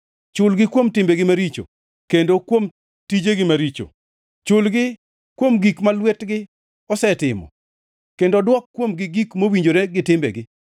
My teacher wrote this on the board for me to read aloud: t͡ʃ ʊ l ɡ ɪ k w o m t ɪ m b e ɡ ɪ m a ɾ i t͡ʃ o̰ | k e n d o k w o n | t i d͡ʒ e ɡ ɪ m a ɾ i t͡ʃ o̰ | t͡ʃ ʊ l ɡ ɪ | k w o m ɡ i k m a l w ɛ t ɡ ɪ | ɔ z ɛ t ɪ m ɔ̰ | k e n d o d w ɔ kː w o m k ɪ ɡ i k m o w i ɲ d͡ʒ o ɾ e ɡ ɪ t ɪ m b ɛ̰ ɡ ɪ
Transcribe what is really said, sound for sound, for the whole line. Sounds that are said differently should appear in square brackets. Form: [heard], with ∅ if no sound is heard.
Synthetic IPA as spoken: t͡ʃ ʊ l ɡ ɪ k w o m t ɪ m b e ɡ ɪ m a ɾ i t͡ʃ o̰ | k e n d o k w o [m] | t i d͡ʒ e ɡ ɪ m a ɾ i t͡ʃ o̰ | t͡ʃ ʊ l ɡ ɪ | k w o m ɡ i k m a l w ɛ t ɡ ɪ | ɔ [s] ɛ t ɪ m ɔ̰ | k e n d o d w ɔ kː w o m [ɡ] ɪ ɡ i k m o w i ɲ d͡ʒ o ɾ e ɡ ɪ t ɪ m b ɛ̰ ɡ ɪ